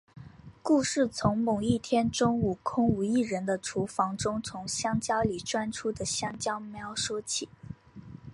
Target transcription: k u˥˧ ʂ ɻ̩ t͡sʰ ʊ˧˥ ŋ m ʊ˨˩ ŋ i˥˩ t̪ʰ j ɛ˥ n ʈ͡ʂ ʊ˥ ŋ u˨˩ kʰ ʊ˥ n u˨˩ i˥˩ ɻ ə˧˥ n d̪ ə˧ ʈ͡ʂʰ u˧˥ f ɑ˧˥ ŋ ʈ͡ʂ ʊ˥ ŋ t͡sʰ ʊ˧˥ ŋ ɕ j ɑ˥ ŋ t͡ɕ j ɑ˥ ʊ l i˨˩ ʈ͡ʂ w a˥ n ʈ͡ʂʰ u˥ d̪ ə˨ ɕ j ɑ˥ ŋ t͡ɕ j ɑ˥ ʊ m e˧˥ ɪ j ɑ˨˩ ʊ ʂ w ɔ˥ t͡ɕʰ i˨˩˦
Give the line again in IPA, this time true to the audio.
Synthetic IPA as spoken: k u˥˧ ʂ ɻ̩ t͡sʰ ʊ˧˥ ŋ m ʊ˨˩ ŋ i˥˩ t̪ʰ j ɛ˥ n ʈ͡ʂ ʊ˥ ŋ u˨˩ kʰ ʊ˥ ŋ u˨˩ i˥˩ ɻ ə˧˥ n d̪ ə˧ ʈ͡ʂʰ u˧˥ f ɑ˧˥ ŋ ʈ͡ʂ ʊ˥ ŋ t͡sʰ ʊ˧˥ ŋ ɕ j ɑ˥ ŋ t͡ɕ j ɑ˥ ʊ l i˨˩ ʈ͡ʂ w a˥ n ʈ͡ʂʰ u˥ d̪ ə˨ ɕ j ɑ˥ ŋ t͡ɕ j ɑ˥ ʊ m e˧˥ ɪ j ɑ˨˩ ʊ ʂ w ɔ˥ t͡ɕʰ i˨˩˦

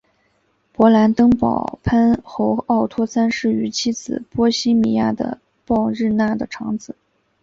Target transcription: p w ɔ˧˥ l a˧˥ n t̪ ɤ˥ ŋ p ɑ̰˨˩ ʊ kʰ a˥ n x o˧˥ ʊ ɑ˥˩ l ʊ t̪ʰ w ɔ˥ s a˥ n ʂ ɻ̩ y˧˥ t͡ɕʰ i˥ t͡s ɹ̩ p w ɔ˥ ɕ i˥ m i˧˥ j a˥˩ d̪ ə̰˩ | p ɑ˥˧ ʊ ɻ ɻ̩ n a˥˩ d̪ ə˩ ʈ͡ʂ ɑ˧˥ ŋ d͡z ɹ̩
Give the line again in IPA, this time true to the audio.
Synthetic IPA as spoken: p w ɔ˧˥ l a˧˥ n t̪ ɤ˥ ŋ p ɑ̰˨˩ ʊ pʰ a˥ n x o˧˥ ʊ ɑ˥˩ ʊ t̪ʰ w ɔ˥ s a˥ n ʂ ɻ̩ y˧˥ t͡ɕʰ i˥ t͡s ɹ̩ p w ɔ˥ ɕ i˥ m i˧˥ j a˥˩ d̪ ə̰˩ | p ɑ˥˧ ʊ ɻ ɻ̩ n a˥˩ d̪ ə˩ ʈ͡ʂʰ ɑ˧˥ ŋ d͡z ɹ̩

